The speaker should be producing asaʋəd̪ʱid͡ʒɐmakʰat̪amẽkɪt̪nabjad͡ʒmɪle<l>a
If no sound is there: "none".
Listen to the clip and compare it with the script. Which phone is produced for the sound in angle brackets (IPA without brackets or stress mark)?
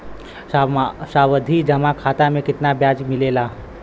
l